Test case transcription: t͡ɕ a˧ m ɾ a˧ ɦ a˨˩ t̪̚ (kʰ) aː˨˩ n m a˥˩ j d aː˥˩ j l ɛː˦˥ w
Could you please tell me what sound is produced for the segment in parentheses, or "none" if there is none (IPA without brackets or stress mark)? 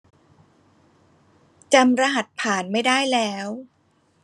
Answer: pʰ